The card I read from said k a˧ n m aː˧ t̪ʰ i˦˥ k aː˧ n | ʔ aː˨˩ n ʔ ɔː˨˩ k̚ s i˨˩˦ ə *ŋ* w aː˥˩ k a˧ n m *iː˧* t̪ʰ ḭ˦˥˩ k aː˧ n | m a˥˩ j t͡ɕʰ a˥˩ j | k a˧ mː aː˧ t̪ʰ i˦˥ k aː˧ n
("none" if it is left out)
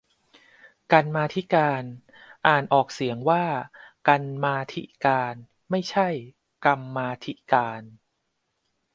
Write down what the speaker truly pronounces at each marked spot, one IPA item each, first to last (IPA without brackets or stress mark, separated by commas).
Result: ŋ, aː˧